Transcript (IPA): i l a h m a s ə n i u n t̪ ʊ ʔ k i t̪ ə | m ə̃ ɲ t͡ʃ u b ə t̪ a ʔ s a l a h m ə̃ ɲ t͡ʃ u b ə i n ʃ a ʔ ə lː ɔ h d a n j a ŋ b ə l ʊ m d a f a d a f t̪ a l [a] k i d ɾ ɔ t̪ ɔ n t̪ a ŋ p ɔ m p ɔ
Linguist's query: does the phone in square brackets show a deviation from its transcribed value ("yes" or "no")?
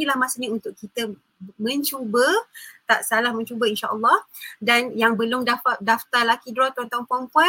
no